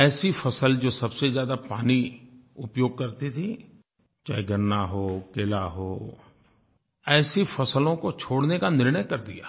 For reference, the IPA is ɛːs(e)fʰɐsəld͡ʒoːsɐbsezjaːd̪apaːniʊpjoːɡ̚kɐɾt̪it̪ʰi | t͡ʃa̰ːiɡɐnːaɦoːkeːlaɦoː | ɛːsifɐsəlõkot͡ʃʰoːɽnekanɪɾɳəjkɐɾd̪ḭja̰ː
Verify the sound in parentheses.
incorrect: i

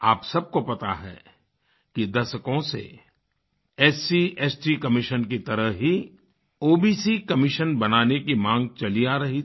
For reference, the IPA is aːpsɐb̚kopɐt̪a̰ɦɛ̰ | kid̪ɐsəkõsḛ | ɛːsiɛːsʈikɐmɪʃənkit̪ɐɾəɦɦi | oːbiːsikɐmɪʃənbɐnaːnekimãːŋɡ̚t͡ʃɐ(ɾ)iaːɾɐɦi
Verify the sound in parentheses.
incorrect: l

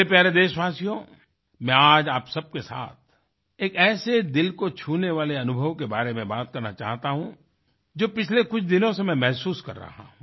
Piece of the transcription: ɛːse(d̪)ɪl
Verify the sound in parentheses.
correct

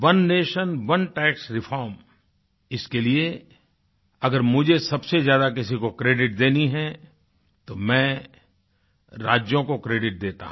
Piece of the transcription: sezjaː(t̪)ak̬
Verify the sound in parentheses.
incorrect: d̪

